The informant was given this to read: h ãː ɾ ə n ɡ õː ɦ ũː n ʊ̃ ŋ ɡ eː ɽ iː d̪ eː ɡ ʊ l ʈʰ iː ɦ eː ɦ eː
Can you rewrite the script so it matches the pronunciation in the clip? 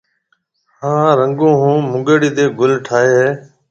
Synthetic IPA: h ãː ɾ ə ŋ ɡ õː ɦ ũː m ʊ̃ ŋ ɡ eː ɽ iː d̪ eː ɡ ʊ l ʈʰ aː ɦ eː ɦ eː